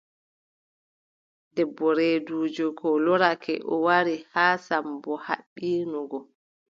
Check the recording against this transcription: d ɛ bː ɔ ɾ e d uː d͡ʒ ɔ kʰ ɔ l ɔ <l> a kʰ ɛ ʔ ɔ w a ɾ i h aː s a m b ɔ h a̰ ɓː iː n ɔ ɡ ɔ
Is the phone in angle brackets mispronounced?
yes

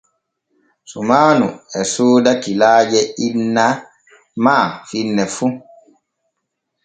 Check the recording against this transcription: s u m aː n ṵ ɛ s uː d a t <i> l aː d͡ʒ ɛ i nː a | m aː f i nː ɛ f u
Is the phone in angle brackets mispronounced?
no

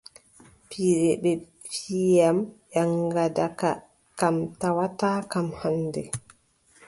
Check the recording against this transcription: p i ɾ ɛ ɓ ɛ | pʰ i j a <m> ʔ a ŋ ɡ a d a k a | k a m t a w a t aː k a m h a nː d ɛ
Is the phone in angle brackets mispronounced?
no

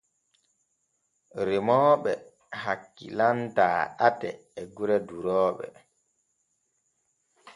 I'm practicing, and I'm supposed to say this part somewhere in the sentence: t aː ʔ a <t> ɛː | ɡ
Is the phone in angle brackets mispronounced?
no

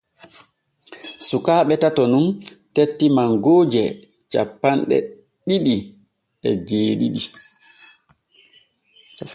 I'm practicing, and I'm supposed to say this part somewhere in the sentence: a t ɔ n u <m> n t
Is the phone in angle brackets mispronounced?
yes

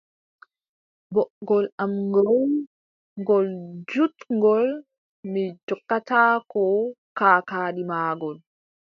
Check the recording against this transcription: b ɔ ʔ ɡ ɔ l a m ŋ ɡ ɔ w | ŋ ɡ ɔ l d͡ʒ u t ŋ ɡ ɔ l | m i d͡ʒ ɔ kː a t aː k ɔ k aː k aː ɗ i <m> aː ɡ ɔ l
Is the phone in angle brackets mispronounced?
no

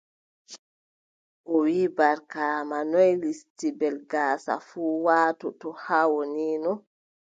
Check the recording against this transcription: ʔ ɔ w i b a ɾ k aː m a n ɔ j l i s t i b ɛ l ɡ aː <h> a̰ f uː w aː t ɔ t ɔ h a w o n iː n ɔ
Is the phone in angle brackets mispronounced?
yes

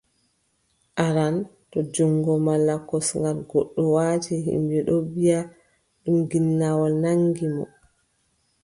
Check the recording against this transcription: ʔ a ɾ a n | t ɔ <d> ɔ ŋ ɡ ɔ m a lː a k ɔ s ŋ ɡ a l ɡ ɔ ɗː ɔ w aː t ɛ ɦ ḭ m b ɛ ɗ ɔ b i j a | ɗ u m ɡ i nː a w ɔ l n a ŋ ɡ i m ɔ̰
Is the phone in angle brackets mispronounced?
yes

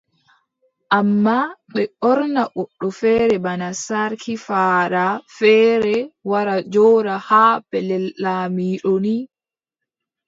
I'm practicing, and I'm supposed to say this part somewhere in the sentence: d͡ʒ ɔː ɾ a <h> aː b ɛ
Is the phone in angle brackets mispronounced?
no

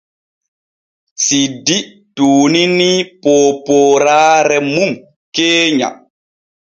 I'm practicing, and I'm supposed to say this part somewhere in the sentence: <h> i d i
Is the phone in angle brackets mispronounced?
yes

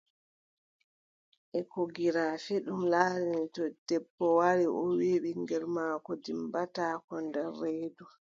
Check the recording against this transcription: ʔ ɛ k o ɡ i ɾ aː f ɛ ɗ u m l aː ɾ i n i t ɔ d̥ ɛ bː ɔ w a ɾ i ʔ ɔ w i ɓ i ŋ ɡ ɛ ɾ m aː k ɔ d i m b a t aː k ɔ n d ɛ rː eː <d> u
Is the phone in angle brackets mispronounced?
no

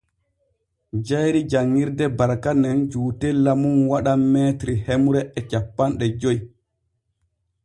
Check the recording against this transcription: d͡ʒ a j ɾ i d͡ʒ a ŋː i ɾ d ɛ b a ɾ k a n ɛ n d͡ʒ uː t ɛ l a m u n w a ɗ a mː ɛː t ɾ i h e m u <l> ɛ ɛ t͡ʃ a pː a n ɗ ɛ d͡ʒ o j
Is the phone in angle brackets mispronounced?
yes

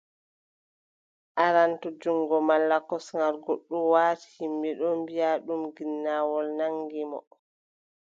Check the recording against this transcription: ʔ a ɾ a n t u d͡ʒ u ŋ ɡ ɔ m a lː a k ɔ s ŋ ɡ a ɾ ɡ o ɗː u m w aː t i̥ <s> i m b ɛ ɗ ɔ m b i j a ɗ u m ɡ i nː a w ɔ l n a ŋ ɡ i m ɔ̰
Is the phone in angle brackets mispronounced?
yes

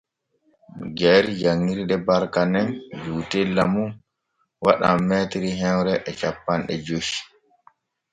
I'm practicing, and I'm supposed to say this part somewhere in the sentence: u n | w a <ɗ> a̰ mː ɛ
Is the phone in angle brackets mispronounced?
no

